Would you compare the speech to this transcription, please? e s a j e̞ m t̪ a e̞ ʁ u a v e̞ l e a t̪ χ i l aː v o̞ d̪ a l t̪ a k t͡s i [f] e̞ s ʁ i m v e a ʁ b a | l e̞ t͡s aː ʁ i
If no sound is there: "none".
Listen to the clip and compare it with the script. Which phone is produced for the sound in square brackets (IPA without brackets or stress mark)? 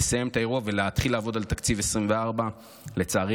v